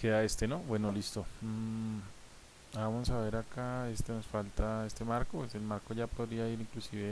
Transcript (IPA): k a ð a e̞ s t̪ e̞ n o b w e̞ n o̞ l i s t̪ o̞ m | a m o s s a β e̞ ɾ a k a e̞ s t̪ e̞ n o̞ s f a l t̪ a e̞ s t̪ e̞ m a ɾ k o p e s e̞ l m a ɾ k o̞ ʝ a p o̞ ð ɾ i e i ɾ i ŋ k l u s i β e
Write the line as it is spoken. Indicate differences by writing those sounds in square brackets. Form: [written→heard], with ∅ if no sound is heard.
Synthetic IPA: k [a→e] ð a e̞ s t̪ e̞ n o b w e̞ n o̞ l i s t̪ o̞ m | a m o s s a β e̞ ɾ a k a e̞ s t̪ e̞ n o̞ s f a l t̪ a e̞ s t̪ e̞ m a ɾ k o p e s e̞ l m a ɾ k o̞ ʝ a p o̞ ð ɾ i [e→a] i ɾ i ŋ k l u s i β e